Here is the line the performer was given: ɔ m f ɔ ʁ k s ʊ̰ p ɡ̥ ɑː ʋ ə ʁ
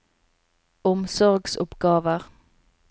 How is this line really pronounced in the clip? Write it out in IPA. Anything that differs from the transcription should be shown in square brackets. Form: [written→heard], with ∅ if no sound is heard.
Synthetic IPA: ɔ m [f→s] ɔ ʁ [k→ɡ] s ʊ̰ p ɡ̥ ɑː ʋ ə ʁ